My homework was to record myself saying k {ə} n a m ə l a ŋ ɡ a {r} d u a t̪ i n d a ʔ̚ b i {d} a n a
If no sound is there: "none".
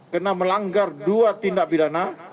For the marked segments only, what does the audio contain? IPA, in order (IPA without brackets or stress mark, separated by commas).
ə, r, d